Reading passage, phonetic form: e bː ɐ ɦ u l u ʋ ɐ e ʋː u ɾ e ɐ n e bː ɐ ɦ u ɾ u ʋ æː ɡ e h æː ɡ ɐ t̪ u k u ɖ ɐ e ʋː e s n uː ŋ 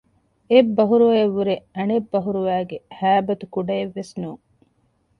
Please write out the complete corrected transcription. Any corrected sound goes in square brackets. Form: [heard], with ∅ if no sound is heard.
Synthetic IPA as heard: e bː ɐ ɦ u [ɾ] u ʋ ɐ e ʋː u ɾ e ɐ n e bː ɐ ɦ u ɾ u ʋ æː ɡ e h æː [b] ɐ t̪ u k u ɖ ɐ e ʋː e s n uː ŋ